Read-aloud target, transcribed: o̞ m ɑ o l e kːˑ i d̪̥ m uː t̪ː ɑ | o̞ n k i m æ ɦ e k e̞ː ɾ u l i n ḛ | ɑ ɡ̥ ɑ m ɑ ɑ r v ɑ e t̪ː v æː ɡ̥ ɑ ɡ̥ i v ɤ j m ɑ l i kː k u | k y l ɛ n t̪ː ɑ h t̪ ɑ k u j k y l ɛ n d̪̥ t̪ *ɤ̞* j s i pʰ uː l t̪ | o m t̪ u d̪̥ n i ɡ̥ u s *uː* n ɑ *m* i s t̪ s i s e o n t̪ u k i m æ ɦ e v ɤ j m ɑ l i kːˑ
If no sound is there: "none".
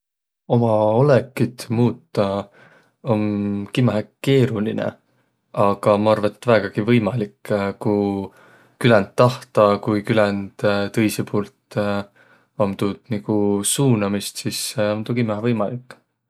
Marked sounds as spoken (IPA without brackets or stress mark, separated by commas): ɤ̞, uː, m